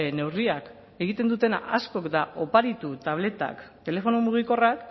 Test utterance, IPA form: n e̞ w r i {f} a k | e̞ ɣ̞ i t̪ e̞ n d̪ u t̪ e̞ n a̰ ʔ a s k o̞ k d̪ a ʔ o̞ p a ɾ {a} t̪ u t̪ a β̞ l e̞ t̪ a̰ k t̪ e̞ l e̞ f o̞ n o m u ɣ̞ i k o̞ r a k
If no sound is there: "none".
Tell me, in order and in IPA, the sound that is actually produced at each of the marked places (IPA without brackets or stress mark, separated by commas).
none, i